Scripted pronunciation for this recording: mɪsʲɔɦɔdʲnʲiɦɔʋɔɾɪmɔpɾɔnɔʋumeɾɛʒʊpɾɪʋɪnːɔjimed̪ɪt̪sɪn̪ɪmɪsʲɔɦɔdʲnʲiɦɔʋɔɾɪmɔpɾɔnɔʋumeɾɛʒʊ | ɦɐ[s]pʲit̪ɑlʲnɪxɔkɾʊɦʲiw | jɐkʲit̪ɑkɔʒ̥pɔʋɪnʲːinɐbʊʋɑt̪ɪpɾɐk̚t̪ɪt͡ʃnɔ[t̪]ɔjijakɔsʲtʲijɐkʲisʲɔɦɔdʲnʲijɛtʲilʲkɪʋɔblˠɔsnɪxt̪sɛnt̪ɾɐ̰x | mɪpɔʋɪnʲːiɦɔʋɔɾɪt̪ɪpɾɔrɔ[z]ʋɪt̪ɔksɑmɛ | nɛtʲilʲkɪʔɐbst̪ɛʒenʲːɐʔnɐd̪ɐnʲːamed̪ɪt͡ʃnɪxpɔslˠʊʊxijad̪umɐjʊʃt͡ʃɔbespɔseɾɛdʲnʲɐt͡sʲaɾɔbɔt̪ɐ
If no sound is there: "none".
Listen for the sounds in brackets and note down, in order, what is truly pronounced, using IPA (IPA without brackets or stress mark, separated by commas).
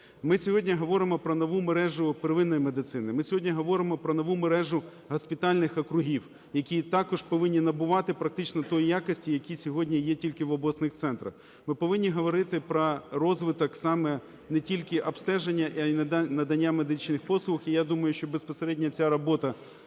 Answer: s, t̪, z